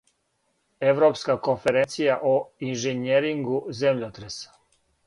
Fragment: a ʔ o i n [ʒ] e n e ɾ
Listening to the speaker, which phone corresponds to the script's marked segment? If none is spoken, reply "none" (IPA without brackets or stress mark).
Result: ʒ